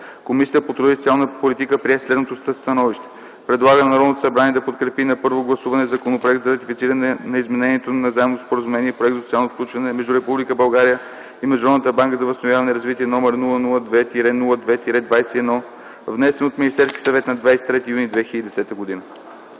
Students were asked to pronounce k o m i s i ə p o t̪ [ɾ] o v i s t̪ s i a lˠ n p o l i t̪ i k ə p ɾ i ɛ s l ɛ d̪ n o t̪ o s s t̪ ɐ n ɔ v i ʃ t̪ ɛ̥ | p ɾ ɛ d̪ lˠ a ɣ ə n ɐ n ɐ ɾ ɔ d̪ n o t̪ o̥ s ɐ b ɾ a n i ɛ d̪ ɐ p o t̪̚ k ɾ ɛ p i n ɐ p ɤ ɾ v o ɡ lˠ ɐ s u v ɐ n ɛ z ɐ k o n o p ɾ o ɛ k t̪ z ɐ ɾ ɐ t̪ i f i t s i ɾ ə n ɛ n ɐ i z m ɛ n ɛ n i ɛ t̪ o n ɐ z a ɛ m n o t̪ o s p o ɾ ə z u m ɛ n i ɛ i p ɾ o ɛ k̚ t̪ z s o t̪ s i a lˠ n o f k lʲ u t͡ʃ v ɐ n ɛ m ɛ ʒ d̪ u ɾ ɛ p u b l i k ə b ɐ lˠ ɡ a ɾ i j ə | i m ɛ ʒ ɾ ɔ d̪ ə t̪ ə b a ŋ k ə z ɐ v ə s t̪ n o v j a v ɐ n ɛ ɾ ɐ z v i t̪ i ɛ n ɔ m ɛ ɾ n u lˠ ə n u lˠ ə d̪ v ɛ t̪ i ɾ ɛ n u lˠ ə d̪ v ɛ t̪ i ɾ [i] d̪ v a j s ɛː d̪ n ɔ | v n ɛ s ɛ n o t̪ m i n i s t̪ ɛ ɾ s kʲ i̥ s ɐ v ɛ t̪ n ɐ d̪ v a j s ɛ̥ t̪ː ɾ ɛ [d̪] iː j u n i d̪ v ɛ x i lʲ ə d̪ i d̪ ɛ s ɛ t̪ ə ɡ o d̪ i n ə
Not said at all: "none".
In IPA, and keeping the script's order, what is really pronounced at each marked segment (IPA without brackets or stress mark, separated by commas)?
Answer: ɾ, ɛ, t̪